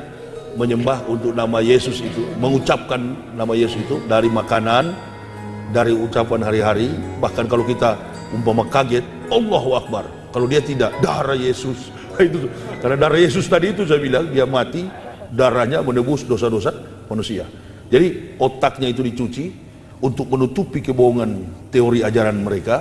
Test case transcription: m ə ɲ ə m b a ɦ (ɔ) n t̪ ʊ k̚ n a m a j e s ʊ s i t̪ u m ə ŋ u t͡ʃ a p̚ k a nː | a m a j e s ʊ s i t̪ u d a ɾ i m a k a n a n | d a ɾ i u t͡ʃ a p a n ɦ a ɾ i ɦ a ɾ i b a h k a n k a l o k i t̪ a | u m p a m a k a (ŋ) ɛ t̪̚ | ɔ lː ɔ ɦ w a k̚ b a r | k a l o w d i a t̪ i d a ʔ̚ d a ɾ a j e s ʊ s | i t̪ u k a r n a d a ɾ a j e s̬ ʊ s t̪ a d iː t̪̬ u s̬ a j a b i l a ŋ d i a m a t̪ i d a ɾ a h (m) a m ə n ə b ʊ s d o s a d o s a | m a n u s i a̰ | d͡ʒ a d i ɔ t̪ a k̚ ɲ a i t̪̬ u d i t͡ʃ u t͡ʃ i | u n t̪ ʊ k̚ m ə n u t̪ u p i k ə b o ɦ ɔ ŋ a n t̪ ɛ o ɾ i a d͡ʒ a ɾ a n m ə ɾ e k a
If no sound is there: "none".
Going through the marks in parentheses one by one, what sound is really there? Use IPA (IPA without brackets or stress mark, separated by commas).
u, ɡ, ɲ